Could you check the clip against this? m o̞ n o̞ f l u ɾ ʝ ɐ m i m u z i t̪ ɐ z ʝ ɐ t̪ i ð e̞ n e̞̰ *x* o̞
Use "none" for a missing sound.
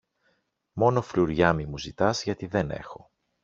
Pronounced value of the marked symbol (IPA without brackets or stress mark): x